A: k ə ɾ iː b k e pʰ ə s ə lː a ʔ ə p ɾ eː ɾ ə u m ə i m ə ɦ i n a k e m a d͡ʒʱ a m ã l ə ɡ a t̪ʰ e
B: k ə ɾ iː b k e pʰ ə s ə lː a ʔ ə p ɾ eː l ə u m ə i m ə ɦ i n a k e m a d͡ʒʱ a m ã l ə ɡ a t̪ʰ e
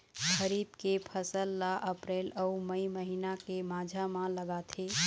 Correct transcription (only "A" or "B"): B